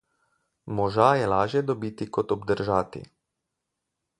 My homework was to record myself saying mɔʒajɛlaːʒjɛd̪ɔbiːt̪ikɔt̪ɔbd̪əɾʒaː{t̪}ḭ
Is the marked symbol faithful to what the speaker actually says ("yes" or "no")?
yes